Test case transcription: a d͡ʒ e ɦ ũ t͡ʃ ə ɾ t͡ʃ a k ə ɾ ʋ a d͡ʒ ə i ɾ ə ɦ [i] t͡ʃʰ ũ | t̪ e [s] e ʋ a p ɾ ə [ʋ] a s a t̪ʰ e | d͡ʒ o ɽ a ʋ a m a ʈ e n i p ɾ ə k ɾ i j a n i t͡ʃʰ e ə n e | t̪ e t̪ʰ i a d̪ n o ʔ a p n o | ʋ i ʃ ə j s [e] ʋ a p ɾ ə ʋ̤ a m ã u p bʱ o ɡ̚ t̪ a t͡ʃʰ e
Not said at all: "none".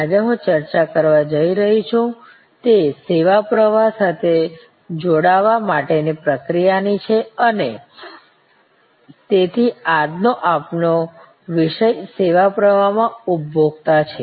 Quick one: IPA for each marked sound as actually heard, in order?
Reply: i, s, ʋ, e

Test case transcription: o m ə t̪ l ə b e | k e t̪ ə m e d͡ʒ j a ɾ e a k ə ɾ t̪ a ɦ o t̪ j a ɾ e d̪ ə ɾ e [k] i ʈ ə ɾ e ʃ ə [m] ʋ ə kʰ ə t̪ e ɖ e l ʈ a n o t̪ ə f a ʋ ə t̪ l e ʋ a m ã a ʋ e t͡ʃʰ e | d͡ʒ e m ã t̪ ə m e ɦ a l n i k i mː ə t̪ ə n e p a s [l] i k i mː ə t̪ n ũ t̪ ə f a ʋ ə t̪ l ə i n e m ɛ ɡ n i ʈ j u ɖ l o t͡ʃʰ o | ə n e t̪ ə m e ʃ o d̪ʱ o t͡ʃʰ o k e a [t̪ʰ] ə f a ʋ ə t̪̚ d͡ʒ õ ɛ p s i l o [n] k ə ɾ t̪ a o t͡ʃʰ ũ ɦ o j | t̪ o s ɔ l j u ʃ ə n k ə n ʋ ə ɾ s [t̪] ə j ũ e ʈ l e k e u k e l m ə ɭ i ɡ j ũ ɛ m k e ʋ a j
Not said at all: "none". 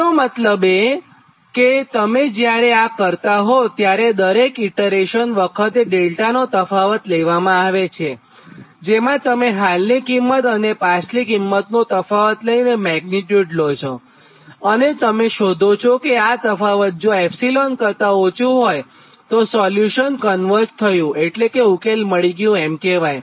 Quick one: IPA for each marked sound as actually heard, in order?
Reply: k, n, l, t̪, n, t̪ʰ

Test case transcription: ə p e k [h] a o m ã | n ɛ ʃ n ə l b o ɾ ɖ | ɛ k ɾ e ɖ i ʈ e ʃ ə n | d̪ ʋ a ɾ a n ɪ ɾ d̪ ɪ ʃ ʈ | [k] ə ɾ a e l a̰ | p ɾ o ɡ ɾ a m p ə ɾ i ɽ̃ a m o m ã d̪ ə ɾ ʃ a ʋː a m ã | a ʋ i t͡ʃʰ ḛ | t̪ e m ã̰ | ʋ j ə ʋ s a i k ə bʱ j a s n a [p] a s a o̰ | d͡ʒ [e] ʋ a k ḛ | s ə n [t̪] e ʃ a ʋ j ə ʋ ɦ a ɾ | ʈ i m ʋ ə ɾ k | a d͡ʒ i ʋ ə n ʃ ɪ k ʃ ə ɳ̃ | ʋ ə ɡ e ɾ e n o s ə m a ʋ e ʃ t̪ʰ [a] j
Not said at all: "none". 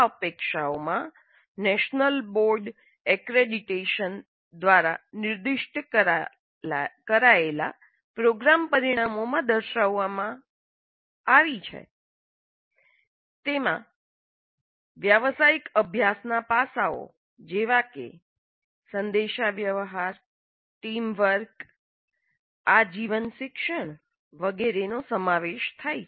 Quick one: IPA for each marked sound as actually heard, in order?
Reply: ʃ, k, p, e, d̪, a

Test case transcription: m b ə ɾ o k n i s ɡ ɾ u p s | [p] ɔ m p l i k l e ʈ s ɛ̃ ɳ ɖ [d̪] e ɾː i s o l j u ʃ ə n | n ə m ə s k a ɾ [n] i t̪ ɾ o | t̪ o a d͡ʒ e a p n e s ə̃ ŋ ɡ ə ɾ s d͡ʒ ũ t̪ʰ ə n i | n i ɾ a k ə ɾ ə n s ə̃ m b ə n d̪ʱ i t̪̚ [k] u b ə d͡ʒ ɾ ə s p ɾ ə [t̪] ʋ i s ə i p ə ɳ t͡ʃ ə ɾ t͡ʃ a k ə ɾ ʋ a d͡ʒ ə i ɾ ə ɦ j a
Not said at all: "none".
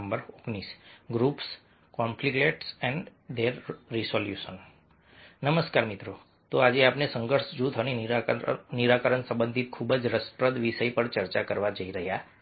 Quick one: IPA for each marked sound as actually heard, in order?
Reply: k, d̪, m, kʰ, d̪

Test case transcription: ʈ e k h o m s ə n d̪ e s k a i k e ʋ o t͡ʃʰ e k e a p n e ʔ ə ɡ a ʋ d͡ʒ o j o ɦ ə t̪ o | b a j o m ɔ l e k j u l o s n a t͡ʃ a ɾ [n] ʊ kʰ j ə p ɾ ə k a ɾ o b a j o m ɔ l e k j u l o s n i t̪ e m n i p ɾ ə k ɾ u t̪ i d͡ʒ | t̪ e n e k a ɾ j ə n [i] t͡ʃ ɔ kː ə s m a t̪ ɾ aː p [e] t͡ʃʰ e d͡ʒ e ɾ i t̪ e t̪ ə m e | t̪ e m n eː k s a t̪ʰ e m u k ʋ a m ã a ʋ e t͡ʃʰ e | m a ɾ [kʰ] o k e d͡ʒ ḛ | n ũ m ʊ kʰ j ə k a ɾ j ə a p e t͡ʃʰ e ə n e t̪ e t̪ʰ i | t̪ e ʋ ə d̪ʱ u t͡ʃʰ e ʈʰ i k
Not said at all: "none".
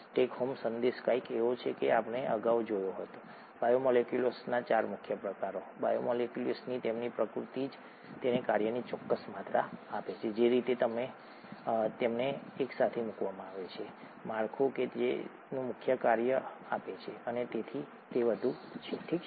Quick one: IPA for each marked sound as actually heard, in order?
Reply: m, i, e, kʰ

